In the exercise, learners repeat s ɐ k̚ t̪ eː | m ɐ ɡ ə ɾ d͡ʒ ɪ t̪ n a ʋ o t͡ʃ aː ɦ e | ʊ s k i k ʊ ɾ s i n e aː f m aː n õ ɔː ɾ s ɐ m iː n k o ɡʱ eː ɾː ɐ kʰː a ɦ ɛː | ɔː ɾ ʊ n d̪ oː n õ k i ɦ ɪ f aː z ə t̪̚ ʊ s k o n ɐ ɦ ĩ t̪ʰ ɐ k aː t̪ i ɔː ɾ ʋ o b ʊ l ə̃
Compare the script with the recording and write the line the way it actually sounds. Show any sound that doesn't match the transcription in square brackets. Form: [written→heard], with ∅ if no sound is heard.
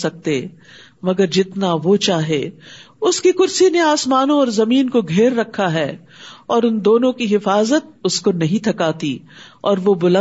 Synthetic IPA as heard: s ɐ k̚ t̪ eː | m ɐ ɡ ə ɾ d͡ʒ ɪ t̪ n a ʋ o t͡ʃ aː ɦ e | ʊ s k i k ʊ ɾ s i n e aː [f→s] m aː n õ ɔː ɾ [s→z] ɐ m iː n k o ɡʱ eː ɾː ɐ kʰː a ɦ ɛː | ɔː ɾ ʊ n d̪ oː n õ k i ɦ ɪ f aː z ə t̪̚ ʊ s k o n ɐ ɦ ĩ t̪ʰ ɐ k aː t̪ i ɔː ɾ ʋ o b ʊ l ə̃